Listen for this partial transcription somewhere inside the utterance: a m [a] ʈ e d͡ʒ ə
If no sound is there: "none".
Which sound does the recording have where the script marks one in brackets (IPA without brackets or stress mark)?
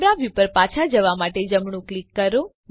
a